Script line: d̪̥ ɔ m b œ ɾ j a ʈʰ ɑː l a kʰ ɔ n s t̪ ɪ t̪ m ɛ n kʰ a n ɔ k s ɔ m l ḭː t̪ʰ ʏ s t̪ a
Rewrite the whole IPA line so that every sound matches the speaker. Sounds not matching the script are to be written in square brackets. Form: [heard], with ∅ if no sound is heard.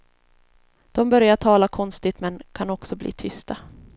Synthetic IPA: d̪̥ ɔ m b œ ɾ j a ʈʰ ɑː l a kʰ ɔ n s t̪ ɪ t̪ m ɛ n kʰ a n ɔ k s ɔ [b] l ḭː t̪ʰ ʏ s t̪ a